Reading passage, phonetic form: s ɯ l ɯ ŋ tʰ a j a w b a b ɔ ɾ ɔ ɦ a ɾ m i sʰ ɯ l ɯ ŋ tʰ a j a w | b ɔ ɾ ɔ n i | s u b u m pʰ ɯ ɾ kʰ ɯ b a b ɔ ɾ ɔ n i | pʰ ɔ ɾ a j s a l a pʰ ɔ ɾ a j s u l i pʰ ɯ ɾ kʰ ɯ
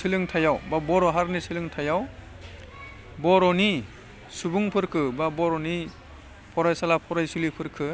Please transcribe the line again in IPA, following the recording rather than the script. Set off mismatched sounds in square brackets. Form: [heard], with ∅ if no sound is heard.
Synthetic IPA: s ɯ l ɯ ŋ tʰ a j a w b a b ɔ ɾ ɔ ɦ a ɾ [n] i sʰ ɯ l ɯ ŋ tʰ a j a w | b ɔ ɾ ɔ n i | s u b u [ŋ] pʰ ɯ ɾ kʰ ɯ b a b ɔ ɾ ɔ n i | pʰ ɔ ɾ a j s a l a pʰ ɔ ɾ a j s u l i pʰ ɯ ɾ kʰ ɯ